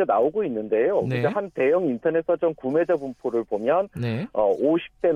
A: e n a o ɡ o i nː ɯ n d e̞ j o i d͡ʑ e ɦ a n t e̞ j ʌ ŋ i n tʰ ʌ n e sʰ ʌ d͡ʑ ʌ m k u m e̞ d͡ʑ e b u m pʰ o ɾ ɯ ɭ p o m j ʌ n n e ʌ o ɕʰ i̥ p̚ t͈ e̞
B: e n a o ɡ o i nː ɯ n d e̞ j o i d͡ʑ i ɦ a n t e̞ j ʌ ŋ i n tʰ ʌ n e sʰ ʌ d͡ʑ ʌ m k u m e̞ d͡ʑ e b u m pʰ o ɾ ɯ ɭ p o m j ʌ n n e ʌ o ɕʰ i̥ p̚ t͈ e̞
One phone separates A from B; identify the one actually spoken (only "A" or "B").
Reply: A